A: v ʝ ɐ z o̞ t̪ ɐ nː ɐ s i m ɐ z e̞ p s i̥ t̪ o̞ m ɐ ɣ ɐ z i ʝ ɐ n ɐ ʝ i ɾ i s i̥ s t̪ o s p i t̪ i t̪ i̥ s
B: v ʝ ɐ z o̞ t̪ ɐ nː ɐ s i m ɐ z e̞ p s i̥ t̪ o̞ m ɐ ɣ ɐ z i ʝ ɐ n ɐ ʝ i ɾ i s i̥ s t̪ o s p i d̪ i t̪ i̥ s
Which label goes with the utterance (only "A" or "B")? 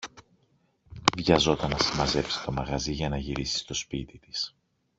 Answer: A